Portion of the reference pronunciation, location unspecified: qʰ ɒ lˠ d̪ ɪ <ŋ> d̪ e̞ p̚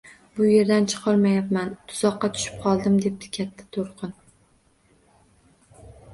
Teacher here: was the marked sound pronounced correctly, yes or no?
no